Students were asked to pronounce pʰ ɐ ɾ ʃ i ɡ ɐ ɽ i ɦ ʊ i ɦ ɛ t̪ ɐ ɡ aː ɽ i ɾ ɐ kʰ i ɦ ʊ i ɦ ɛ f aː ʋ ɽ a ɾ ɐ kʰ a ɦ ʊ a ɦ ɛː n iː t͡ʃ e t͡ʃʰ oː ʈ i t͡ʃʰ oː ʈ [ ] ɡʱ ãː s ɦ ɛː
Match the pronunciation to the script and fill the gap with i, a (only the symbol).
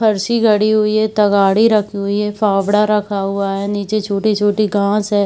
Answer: i